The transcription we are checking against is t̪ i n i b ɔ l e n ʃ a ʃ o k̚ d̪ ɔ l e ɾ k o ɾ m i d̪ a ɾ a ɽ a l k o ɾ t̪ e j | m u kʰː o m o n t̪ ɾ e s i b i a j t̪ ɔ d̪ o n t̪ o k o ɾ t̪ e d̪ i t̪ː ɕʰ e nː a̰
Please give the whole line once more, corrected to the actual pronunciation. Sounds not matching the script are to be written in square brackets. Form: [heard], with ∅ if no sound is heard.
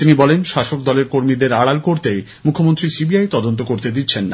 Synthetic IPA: t̪ i n i b ɔ l e n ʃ a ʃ o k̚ d̪ ɔ l e ɾ k o ɾ m i d̪ [e] ɾ a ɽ a l k o ɾ t̪ e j | m u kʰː o m o n t̪ ɾ [i] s i b i a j t̪ ɔ d̪ o n t̪ o k o ɾ t̪ e d̪ i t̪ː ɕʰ e nː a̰